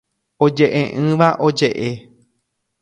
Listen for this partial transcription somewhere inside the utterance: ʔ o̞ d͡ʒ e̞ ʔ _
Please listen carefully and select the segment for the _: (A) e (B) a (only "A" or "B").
A